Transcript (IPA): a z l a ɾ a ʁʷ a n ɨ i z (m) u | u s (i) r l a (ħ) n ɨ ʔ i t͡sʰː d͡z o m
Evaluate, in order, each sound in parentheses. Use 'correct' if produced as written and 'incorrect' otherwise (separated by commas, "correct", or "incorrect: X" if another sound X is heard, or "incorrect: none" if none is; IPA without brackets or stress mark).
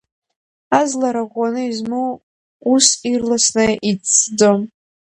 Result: correct, correct, incorrect: s